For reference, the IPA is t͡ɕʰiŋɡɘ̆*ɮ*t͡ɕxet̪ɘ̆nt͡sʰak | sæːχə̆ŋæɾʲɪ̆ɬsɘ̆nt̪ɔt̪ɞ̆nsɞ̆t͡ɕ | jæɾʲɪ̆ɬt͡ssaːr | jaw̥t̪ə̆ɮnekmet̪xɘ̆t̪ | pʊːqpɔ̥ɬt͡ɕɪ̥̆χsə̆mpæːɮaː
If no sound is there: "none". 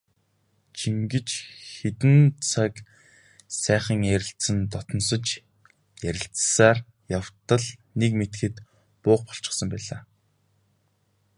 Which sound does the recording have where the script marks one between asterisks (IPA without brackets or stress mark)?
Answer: none